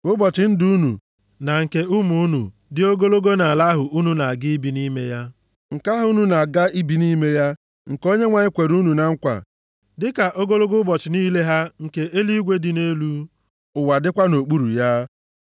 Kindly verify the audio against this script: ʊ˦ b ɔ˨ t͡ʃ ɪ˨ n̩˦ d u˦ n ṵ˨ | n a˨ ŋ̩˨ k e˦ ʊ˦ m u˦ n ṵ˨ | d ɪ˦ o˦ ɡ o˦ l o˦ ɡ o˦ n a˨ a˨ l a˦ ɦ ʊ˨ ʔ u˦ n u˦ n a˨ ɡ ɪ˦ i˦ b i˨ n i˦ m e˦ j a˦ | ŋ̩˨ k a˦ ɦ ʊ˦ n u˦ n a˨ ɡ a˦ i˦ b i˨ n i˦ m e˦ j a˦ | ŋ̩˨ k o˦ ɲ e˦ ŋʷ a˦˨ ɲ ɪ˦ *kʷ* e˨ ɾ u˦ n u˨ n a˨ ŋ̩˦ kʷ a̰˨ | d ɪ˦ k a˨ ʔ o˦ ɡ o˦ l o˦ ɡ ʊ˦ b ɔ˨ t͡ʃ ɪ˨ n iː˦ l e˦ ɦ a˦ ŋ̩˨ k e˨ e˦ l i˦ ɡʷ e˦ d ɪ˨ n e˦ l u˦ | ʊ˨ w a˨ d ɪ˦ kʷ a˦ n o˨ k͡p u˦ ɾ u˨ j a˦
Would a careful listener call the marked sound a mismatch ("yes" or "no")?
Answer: no